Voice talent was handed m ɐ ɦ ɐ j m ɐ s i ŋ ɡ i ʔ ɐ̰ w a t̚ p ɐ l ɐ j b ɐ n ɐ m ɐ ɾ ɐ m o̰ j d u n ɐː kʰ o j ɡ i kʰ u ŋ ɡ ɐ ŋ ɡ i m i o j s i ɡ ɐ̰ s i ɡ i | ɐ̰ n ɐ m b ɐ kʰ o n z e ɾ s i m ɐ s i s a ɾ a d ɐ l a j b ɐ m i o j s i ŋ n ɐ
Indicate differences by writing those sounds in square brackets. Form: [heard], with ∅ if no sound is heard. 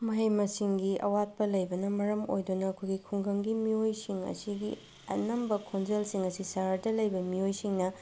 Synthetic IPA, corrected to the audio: m ɐ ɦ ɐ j m ɐ s i ŋ ɡ i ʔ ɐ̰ w a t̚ p ɐ l ɐ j b ɐ n ɐ m ɐ ɾ ɐ m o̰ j d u n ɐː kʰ o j ɡ i kʰ u ŋ ɡ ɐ ŋ ɡ i m i o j s i [ŋ] ɐ̰ s i ɡ i | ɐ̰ n ɐ m b ɐ kʰ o n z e [l] s i [ŋ] ɐ s i s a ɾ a d ɐ l [ɐ] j b ɐ m i o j s i ŋ n ɐ